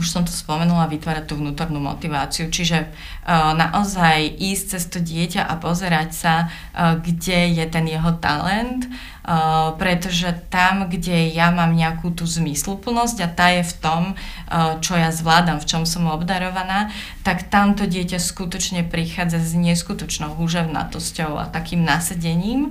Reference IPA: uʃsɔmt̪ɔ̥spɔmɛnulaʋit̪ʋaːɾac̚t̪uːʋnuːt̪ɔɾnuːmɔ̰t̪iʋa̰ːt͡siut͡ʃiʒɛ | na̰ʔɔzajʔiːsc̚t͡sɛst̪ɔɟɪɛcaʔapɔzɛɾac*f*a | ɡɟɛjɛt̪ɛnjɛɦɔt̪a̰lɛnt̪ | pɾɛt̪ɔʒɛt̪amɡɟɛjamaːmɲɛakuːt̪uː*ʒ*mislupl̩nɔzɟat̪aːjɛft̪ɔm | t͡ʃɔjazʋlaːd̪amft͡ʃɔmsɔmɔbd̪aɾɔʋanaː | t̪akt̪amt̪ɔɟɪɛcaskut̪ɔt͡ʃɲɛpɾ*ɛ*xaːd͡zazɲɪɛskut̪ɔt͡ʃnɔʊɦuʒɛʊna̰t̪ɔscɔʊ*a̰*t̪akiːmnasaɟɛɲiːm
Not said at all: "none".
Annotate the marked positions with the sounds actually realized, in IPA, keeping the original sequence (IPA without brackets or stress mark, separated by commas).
s, z, i, a̰